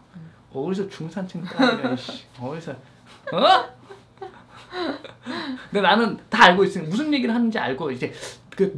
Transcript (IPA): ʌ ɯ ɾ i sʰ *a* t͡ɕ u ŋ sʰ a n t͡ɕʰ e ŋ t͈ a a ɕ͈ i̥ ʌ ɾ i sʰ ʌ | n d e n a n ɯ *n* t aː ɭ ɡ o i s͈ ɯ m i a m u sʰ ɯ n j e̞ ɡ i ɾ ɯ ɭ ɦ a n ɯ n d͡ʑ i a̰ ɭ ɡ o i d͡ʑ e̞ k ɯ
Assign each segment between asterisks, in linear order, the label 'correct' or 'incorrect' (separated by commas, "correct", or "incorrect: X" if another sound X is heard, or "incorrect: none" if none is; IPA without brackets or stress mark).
incorrect: ʌ, correct